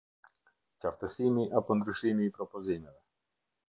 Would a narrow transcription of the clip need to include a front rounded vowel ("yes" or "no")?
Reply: yes